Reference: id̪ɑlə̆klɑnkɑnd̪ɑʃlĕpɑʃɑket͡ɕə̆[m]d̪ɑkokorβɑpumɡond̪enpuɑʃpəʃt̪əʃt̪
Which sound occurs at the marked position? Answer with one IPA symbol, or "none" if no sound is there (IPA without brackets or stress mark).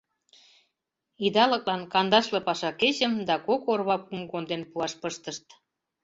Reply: m